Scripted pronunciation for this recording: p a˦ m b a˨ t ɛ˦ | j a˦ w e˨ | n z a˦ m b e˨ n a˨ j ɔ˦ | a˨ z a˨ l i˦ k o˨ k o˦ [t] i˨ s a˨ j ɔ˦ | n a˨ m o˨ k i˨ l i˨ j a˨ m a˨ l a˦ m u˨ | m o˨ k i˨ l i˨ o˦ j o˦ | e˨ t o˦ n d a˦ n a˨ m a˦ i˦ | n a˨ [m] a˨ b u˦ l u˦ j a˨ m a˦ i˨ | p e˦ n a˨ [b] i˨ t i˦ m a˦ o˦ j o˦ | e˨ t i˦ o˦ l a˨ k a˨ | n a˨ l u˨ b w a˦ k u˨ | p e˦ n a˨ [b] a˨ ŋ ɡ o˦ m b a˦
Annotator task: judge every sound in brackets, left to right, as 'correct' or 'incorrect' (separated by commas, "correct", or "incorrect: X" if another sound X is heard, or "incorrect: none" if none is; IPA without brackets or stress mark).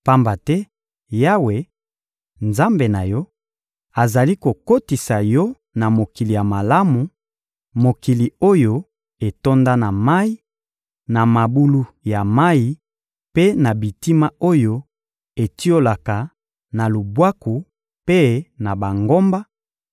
correct, correct, correct, correct